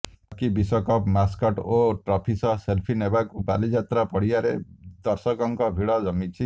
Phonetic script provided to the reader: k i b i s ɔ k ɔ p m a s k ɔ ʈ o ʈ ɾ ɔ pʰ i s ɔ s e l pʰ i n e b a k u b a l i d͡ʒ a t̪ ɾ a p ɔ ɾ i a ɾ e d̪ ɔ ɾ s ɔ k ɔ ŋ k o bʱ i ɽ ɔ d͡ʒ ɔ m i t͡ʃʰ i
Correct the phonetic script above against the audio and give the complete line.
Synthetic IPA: k i b i s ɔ k ɔ p m a s k ɔ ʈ o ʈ ɾ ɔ pʰ i s ɔ s e l pʰ i n e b a k u b a l i d͡ʒ a t̪ ɾ a p ɔ ɽ i a ɾ e d̪ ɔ ɾ s ɔ k ɔ ŋ k ɔ bʱ i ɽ ɔ d͡ʒ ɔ m i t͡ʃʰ i